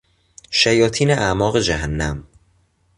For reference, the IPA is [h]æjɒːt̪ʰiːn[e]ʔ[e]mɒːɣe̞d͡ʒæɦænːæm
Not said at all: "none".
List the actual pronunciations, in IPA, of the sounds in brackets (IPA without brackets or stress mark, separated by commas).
ʃ, e, æ